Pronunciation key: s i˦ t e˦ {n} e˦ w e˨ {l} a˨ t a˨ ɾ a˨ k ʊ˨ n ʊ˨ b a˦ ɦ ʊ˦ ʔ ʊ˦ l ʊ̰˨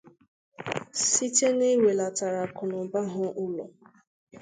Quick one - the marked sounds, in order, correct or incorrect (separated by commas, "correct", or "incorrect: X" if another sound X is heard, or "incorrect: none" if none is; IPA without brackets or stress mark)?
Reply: correct, correct